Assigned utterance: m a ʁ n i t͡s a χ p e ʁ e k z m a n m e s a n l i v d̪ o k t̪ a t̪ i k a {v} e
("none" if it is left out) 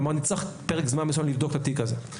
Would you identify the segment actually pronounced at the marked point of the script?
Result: z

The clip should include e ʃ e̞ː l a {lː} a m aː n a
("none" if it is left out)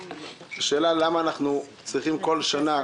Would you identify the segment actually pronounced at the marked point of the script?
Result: l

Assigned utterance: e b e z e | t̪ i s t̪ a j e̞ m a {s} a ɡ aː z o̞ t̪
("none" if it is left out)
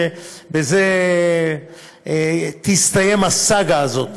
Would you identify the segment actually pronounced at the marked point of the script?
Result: s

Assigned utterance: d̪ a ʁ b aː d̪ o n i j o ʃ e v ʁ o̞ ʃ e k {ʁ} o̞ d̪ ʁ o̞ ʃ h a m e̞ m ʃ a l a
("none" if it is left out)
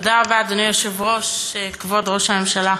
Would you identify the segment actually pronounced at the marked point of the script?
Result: v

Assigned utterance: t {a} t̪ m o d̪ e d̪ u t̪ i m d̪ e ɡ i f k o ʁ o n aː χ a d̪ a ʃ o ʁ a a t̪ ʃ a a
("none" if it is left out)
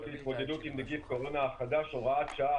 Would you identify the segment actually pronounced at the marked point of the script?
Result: i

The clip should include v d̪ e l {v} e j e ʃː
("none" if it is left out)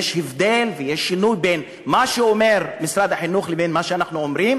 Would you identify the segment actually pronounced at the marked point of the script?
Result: v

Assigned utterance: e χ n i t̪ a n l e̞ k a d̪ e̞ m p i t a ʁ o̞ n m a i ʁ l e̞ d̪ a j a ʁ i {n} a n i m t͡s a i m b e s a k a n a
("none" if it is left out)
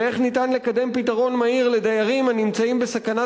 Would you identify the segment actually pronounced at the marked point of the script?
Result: m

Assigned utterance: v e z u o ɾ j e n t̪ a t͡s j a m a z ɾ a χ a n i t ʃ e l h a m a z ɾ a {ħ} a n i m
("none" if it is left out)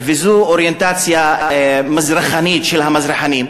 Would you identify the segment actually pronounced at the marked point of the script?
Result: ħ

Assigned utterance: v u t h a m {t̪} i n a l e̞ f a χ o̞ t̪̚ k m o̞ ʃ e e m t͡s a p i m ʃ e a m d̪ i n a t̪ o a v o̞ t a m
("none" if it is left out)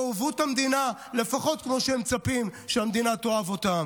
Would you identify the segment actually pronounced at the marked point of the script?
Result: d̪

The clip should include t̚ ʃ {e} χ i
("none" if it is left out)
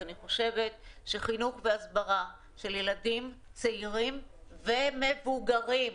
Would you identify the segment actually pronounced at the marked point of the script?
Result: e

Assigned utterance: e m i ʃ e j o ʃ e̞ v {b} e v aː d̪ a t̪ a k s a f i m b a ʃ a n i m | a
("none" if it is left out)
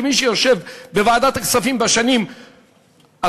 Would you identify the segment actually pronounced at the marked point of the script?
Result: b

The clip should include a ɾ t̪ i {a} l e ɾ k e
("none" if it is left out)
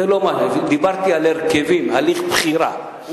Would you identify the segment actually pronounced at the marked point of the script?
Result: a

